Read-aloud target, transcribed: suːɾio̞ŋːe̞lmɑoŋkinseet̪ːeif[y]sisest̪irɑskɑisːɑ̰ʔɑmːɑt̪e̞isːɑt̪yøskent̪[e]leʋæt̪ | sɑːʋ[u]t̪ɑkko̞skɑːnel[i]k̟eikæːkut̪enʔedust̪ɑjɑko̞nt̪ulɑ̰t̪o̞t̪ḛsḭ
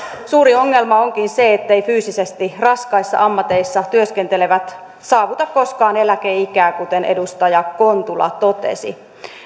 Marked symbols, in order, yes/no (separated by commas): no, yes, yes, no